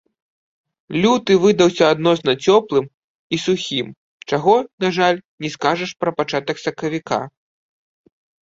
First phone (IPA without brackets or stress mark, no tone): lʲ